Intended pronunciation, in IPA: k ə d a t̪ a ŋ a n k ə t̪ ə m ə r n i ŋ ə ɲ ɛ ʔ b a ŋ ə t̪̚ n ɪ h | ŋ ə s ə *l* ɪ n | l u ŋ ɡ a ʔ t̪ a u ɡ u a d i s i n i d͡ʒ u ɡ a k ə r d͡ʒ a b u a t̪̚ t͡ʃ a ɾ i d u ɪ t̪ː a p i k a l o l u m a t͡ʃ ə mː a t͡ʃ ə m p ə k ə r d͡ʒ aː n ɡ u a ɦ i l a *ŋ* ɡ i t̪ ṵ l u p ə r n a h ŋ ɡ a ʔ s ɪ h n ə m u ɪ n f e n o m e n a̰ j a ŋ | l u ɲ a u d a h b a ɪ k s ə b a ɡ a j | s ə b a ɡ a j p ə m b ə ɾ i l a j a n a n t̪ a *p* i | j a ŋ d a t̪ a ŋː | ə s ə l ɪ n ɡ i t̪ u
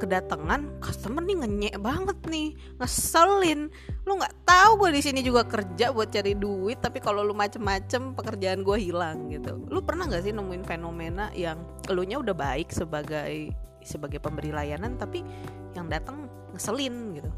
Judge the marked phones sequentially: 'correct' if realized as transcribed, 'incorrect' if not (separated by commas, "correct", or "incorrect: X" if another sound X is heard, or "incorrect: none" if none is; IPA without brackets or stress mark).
correct, correct, correct